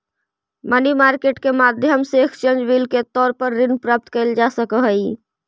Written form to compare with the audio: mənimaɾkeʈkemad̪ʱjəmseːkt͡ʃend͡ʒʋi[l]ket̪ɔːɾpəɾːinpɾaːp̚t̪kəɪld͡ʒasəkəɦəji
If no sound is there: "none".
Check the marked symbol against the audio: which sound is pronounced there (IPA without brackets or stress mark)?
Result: l